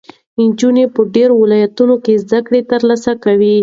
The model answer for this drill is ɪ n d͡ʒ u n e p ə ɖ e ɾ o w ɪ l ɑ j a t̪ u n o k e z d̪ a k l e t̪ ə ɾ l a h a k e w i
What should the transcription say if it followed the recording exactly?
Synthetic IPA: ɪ n d͡ʒ u n e p ə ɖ e ɾ o w ɪ l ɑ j a t̪ u n o k e z d̪ a k ɽ e t̪ ə ɾ l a s a k a w i